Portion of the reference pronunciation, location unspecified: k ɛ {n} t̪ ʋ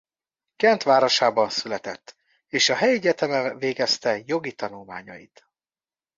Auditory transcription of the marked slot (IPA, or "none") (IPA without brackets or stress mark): n